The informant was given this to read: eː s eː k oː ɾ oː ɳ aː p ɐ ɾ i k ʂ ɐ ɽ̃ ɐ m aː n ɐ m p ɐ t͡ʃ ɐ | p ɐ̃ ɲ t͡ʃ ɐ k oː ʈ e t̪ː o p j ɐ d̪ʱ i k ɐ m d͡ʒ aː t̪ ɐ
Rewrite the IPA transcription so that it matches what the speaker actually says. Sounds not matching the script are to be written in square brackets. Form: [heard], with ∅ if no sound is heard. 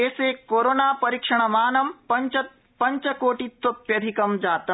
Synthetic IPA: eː s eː k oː ɾ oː [n] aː p ɐ ɾ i k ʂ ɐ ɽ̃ ɐ m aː n ɐ m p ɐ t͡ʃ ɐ | p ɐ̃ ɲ t͡ʃ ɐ k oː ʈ [i] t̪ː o p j ɐ d̪ʱ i k ɐ m d͡ʒ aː t̪ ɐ